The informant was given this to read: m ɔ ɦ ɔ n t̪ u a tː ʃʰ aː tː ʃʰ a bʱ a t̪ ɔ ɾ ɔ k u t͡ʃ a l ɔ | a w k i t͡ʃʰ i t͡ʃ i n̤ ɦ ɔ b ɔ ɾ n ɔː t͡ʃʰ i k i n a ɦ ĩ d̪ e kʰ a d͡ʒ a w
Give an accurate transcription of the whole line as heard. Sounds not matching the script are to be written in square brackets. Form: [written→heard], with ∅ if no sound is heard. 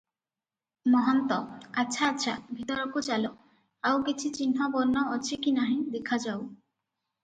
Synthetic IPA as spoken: m ɔ ɦ ɔ n t̪ [u→ɔ] a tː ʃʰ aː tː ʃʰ a bʱ [a→i] t̪ ɔ ɾ ɔ k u t͡ʃ a l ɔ | a w k i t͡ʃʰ i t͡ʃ i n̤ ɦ ɔ b ɔ ɾ n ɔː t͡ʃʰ i k i n a ɦ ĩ d̪ e kʰ a d͡ʒ a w